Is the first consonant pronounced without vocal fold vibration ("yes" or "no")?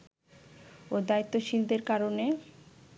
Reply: no